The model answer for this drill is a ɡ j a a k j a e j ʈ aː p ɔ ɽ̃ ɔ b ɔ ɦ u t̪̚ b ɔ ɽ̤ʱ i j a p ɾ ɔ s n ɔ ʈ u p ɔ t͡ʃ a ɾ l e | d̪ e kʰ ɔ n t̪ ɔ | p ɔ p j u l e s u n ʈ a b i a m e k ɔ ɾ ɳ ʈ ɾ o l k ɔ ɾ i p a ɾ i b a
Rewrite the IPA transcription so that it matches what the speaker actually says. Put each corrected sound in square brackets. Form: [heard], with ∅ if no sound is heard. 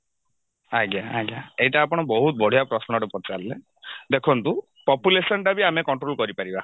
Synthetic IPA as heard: a ɡ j a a [ɡ] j a e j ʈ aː p ɔ ɽ̃ ɔ b ɔ ɦ u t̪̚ b ɔ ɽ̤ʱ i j a p ɾ ɔ s n ɔ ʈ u p ɔ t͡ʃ a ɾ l e | d̪ e kʰ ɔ n t̪ [u] | p ɔ p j u l e s [ɔ] n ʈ a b i a m e k ɔ [∅] ɳ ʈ ɾ o l k ɔ ɾ i p a ɾ i b a